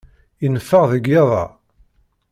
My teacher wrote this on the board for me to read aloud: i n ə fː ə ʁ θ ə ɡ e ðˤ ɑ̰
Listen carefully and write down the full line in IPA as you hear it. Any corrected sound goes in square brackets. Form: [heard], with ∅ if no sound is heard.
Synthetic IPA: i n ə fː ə ʁ [ð] ə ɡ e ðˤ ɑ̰